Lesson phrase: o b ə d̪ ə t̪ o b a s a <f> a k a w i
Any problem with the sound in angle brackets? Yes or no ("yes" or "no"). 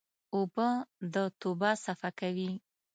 no